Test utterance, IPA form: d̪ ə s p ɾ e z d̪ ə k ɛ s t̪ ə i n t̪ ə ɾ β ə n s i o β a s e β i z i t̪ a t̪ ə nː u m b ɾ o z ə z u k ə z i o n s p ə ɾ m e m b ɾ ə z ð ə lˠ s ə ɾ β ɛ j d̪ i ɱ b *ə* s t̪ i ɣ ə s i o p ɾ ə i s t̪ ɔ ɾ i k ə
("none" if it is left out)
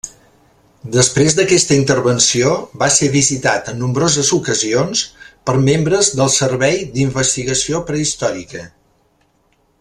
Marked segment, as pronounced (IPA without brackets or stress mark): ə